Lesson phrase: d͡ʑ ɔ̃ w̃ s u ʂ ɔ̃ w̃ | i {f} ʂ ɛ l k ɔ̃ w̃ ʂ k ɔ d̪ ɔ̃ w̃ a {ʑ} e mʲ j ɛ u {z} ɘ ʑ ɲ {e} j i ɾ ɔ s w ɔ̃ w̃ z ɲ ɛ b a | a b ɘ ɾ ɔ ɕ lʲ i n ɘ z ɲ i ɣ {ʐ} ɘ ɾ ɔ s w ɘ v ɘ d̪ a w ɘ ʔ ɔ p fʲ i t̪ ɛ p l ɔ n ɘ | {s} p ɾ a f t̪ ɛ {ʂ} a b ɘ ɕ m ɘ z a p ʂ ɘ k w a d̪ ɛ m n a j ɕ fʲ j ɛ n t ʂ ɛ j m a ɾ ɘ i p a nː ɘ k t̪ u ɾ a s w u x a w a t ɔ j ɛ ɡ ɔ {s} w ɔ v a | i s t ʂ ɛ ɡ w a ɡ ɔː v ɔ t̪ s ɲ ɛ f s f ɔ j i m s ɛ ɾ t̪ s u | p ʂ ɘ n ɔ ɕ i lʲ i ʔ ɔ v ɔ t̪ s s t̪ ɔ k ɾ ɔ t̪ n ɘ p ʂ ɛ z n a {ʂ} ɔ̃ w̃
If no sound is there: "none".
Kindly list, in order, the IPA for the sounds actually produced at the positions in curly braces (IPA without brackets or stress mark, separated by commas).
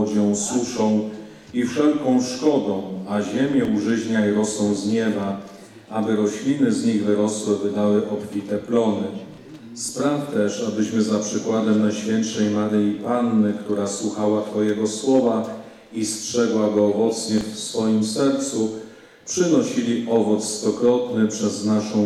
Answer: f, ʑ, ʐ, a, v, s, ʂ, s, ʂ